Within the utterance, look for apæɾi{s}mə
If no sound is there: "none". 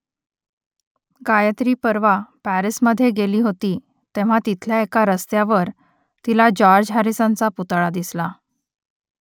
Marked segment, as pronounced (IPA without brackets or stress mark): s